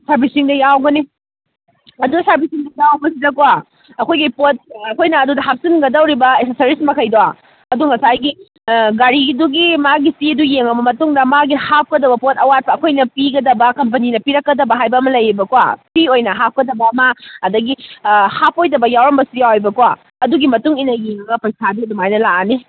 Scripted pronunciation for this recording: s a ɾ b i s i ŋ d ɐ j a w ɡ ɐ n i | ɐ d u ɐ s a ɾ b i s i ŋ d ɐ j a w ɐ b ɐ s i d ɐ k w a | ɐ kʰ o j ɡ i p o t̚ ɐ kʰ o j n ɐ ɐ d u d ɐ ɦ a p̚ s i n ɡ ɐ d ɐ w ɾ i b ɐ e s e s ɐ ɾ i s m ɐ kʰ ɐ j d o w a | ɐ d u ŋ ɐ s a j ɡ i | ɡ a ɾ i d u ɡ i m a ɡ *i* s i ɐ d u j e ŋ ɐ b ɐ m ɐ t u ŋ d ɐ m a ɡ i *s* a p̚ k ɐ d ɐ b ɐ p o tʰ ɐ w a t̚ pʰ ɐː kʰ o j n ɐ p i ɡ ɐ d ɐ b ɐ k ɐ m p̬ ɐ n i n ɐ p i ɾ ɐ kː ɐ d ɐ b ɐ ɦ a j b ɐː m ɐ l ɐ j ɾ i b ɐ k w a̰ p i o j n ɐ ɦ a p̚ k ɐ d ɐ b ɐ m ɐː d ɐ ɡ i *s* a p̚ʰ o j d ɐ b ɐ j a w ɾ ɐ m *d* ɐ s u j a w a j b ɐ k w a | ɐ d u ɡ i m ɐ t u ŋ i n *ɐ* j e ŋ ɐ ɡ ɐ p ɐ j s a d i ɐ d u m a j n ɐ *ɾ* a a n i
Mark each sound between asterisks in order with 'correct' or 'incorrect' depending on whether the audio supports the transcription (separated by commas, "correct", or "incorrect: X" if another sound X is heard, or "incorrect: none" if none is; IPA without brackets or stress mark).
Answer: correct, incorrect: h, incorrect: h, incorrect: b, correct, incorrect: l